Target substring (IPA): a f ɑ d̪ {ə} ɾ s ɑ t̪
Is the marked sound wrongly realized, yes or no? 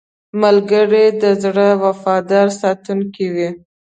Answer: yes